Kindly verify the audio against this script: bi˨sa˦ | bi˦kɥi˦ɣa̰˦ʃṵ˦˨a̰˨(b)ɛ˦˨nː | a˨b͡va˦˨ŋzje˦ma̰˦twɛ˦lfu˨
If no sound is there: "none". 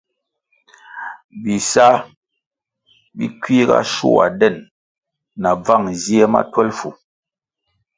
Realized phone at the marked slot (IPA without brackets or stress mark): d